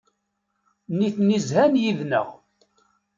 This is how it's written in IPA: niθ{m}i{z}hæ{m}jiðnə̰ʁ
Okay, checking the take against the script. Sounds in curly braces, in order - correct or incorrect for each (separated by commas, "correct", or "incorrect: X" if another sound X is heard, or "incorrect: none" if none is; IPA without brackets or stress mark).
incorrect: n, correct, incorrect: n